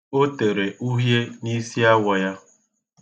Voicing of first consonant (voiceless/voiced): voiceless